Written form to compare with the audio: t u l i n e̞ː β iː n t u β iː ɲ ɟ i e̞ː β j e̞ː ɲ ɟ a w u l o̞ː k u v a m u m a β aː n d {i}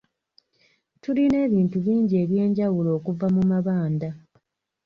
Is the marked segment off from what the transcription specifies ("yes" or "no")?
yes